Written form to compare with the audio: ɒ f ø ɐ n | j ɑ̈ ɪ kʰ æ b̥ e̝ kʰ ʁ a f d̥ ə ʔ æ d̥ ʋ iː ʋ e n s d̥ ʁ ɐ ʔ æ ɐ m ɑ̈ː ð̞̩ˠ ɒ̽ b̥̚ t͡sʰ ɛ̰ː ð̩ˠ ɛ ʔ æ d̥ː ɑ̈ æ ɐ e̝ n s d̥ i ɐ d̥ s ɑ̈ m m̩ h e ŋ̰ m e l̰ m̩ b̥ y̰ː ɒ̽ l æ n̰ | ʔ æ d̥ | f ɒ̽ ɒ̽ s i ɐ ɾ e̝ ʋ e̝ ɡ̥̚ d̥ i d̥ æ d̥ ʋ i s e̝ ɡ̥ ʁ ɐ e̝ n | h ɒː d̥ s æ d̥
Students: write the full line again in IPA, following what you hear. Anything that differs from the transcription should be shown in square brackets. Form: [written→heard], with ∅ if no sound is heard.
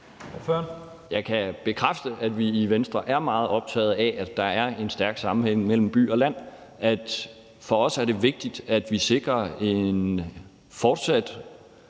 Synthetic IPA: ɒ f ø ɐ n | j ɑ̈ ɪ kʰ æ b̥ e̝ kʰ ʁ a f d̥ ə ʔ æ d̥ ʋ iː ʋ e n s d̥ ʁ ɐ ʔ æ ɐ m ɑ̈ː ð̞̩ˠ ɒ̽ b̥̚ t͡sʰ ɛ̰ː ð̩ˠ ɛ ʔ æ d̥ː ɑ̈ æ ɐ e̝ n s d̥ [i→æ] ɐ [d̥→ɡ̥] s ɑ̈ m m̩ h e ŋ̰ m e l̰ m̩ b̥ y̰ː ɒ̽ l æ n̰ | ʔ æ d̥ | f ɒ̽ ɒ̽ s [i→æ] ɐ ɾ e̝ ʋ e̝ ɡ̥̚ d̥ i d̥ æ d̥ ʋ i s e̝ ɡ̥ ʁ ɐ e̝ n | [h→f] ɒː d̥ s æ d̥

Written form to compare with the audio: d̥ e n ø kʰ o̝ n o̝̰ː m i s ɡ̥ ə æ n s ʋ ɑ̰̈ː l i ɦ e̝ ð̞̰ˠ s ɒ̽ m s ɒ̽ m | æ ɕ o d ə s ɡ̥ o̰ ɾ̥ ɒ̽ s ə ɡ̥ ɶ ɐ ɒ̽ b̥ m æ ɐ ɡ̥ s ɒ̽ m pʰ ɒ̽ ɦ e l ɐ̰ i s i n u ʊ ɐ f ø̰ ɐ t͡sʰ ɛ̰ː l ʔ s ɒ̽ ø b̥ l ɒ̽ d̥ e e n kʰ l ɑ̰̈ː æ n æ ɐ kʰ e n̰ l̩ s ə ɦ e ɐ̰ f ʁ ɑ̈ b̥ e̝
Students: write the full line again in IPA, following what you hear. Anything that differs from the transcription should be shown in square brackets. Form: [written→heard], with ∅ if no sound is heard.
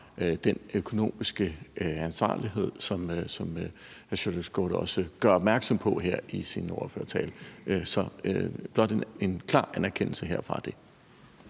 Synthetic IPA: d̥ e n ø kʰ o̝ n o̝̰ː m i s ɡ̥ ə æ n s ʋ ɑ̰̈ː l i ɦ e̝ ð̞̰ˠ s ɒ̽ m s ɒ̽ m | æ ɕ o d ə s ɡ̥ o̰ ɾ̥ ɒ̽ s ə ɡ̥ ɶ ɐ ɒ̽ b̥ m æ ɐ ɡ̥ s ɒ̽ m pʰ ɒ̽ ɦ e [l→∅] ɐ̰ i s i n [u→ɒ] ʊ ɐ f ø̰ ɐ t͡sʰ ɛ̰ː l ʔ s ɒ̽ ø b̥ l ɒ̽ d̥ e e n kʰ l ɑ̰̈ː æ n æ ɐ kʰ e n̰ l̩ s ə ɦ e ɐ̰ f ʁ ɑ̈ [b̥→d̥] e̝

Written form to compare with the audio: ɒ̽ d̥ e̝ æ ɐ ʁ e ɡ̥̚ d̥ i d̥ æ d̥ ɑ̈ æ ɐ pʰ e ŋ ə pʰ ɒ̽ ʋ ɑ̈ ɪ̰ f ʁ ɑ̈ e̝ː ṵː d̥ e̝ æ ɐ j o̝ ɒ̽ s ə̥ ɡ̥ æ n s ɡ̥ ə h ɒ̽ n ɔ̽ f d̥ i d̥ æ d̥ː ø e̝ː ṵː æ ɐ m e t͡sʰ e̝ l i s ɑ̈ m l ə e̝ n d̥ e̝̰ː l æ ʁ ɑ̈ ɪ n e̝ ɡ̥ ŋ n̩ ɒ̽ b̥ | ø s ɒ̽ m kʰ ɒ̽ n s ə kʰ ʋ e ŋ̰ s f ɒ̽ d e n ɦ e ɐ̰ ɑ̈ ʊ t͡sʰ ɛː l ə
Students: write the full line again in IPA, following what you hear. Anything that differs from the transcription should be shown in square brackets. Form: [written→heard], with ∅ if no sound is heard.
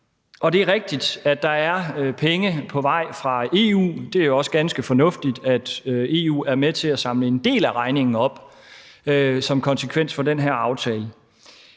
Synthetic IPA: ɒ̽ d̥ e̝ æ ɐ ʁ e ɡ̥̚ d̥ i d̥ æ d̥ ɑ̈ æ ɐ pʰ e ŋ ə pʰ ɒ̽ ʋ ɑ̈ ɪ̰ f ʁ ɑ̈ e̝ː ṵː d̥ e̝ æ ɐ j o̝ ɒ̽ s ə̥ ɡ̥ æ n s ɡ̥ ə [h→f] ɒ̽ n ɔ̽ f d̥ i d̥ æ [d̥ː→d̥] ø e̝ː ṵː æ ɐ m e t͡sʰ e̝ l [i→æ] s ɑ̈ m l ə e̝ n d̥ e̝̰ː l æ ʁ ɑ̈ ɪ n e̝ [ɡ̥→∅] ŋ n̩ ɒ̽ b̥ | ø s ɒ̽ m kʰ ɒ̽ n s ə kʰ ʋ e [ŋ̰→n̰] s f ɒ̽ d e n ɦ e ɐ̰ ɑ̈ ʊ t͡sʰ ɛː l ə

